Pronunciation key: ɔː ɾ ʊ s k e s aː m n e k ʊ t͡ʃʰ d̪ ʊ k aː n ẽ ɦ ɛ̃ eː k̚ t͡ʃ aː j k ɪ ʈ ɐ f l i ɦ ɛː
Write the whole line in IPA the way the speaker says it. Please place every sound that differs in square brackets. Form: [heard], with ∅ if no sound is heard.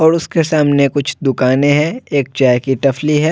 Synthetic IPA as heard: ɔː ɾ ʊ s k e s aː m n e k ʊ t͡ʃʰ d̪ ʊ k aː n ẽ ɦ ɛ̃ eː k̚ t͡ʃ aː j k [i] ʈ ɐ f l i ɦ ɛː